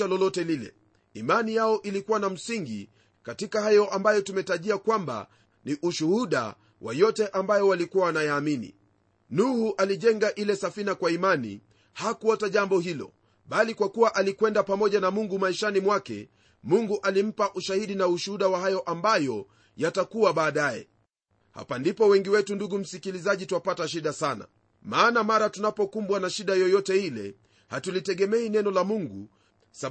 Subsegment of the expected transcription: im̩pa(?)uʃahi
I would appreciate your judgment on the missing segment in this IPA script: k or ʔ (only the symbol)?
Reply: ʔ